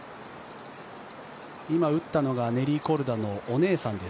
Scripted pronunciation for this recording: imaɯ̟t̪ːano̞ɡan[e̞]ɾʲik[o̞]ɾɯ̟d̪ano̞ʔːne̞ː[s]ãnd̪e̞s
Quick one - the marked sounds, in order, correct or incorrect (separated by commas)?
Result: correct, correct, correct